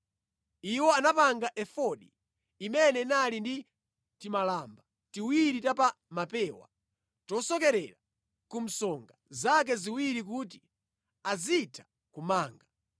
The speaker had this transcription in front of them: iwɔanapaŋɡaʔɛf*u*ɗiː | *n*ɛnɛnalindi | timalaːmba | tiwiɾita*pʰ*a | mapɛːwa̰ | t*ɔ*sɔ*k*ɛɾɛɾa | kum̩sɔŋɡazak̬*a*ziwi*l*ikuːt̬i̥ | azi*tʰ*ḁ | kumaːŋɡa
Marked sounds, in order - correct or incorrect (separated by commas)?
incorrect, incorrect, incorrect, correct, correct, incorrect, incorrect, correct